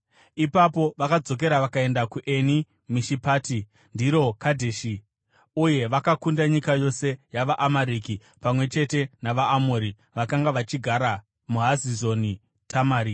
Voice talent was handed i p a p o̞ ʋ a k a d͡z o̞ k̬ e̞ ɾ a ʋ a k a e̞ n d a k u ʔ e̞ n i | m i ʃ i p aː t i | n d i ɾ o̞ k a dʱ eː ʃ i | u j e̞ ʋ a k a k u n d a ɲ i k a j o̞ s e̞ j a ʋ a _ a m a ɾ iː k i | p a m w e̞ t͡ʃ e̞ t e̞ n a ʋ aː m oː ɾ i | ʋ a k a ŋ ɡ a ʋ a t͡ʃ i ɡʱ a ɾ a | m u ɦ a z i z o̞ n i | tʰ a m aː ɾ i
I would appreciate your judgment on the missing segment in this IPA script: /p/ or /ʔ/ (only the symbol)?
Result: ʔ